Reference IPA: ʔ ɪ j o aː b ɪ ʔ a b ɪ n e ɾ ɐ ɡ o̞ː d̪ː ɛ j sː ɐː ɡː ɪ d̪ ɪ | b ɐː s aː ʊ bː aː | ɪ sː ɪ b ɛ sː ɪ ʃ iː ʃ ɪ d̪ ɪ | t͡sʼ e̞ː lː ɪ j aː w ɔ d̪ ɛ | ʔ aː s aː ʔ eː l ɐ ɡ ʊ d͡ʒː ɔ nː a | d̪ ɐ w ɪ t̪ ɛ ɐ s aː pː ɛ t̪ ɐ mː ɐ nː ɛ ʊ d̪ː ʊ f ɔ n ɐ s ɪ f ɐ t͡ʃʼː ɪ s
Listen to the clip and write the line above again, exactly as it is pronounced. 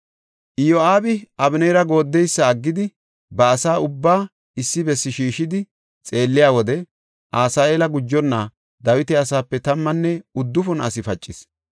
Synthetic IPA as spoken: ʔ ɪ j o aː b ɪ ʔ ɐ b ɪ n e ɾ ɐ ɡ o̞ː d̪ː ɛ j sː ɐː ɡː ɪ d̪ ɪ | b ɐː s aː ʊ bː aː | ɪ sː ɪ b ɛ sː ɪ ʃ iː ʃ ɪ d̪ ɪ | t͡sʼ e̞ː lː ɪ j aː w ɔ d̪ ɛ | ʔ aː s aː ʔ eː l ɐ ɡ ʊ d͡ʒː ɔ nː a | d̪ ɐ w ɪ t̪ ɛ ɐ s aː pː ɛ t̪ ɐ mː ɐ nː ɛ ʊ d̪ː ʊ f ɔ n ɐ s ɪ f ɐ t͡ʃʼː ɪ s